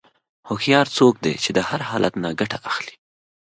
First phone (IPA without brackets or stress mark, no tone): h